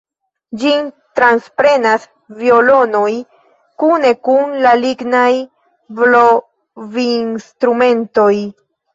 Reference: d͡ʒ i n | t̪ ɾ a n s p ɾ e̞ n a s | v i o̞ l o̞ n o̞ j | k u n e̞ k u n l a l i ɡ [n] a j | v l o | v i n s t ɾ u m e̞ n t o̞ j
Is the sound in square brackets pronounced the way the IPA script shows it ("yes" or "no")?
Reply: yes